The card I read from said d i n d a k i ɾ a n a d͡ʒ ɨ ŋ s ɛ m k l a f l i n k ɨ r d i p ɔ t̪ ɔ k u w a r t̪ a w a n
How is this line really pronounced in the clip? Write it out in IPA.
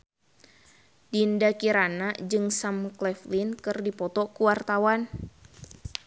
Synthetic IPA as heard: d i n d a k i ɾ a n a d͡ʒ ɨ ŋ s a m k l ɛ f l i n k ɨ r d i p ɔ t̪ ɔ k u w a r t̪ a w a n